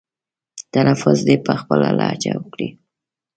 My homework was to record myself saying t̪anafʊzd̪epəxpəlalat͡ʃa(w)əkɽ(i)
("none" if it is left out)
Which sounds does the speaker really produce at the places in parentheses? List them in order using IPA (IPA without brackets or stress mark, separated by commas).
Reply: w, i